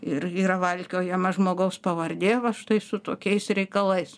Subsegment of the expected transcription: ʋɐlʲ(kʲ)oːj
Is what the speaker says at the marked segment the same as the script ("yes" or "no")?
yes